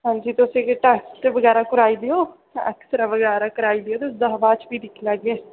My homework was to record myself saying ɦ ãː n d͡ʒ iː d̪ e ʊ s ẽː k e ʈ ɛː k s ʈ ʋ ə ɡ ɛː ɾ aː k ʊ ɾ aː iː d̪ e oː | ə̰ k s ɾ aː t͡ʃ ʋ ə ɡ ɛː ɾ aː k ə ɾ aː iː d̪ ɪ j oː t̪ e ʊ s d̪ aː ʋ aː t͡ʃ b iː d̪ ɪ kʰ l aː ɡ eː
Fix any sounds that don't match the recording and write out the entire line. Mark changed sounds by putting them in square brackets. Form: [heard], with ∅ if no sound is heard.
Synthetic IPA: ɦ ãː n d͡ʒ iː [t̪] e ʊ s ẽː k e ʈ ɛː k s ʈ ʋ ə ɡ ɛː ɾ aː k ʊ ɾ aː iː d̪ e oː | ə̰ k s ɾ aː [∅] ʋ ə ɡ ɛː ɾ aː k ə ɾ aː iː d̪ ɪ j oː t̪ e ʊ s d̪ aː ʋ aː t͡ʃ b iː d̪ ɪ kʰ l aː ɡ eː